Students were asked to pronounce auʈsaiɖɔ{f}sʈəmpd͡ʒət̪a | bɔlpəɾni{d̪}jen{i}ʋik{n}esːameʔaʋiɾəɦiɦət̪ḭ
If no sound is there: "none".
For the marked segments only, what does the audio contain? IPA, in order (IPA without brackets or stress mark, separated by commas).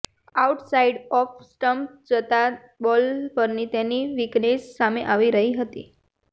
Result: f, t̪, i, n